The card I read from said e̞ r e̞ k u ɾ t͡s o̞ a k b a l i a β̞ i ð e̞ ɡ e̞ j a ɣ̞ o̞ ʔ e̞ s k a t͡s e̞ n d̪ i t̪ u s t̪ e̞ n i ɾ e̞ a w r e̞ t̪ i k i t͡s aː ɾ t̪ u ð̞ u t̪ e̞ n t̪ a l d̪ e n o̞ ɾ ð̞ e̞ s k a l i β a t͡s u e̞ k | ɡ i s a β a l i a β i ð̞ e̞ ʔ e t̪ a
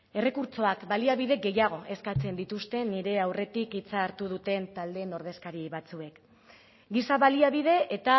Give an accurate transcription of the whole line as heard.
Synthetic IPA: e̞ r e̞ k u ɾ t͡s o̞ a k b a l i a β̞ i ð e̞ ɡ e̞ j a ɣ̞ o̞ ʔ e̞ s k a t͡s e̞ n d̪ i t̪ u s t̪ e̞ n i ɾ e̞ a w r e̞ t̪ i k i t͡s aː ɾ t̪ u ð̞ u t̪ e̞ n t̪ a l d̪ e n o̞ ɾ ð̞ e̞ s k a ɾ i β a t͡s u e̞ k | ɡ i s a β a l i a β i ð̞ e̞ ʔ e t̪ a